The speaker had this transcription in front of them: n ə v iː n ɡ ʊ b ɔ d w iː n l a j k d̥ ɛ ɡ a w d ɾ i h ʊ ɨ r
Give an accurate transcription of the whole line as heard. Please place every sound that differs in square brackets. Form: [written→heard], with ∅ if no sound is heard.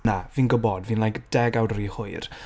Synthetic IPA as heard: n [ə→a] v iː n ɡ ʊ b ɔ d [w→v] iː n l a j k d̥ ɛ ɡ a w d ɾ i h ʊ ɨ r